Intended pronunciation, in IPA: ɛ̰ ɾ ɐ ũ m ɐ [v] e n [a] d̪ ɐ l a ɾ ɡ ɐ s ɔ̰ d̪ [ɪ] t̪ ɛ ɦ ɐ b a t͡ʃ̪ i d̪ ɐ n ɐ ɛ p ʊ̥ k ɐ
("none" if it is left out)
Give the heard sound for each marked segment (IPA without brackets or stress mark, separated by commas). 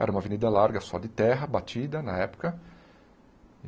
v, i, ɪ